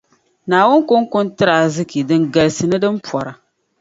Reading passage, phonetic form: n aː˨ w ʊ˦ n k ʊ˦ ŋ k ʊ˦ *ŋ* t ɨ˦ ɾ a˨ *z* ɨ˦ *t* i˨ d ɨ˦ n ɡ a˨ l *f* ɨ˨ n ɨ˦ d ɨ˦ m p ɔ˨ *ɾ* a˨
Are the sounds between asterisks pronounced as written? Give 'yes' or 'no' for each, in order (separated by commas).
no, yes, no, no, yes